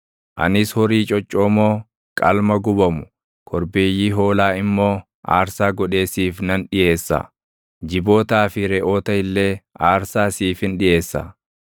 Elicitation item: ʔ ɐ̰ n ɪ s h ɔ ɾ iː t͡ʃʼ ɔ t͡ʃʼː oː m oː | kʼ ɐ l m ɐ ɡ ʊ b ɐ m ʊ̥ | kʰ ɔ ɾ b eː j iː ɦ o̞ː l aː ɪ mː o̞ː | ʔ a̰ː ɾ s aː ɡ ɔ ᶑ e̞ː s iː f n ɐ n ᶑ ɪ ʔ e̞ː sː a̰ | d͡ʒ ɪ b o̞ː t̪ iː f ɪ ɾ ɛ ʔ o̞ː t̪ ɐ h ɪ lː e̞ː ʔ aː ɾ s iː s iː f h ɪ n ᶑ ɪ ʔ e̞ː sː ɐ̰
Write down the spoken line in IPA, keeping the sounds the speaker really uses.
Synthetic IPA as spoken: ʔ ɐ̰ n ɪ s h ɔ ɾ iː t͡ʃʼ ɔ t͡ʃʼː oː m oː | kʼ ɐ l m ɐ ɡ ʊ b ɐ m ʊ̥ | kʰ ɔ ɾ b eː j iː ɦ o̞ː l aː ɪ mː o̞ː | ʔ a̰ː ɾ s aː ɡ ɔ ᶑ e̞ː s iː f n ɐ n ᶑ ɪ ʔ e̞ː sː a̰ | d͡ʒ ɪ b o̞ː t̪ aː f ɪ ɾ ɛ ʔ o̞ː t̪ ɐ h ɪ lː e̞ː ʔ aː ɾ s aː s iː f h ɪ n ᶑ ɪ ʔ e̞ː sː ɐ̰